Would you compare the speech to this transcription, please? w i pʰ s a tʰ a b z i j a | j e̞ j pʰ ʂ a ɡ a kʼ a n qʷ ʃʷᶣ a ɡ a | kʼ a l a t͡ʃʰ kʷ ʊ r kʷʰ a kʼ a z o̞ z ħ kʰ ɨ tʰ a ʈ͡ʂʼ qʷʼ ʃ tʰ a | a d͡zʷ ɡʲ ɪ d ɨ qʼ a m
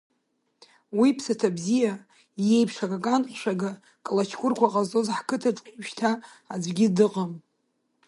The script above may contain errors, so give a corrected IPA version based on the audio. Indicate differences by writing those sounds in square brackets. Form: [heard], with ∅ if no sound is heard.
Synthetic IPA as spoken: w i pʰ s a tʰ a b z i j a | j e̞ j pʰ ʂ a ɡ a kʼ a n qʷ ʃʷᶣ a ɡ a | kʼ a l a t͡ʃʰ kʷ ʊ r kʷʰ a [qʼ] a z o̞ z ħ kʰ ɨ tʰ a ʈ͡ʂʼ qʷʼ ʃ tʰ a | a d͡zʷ ɡʲ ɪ d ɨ qʼ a m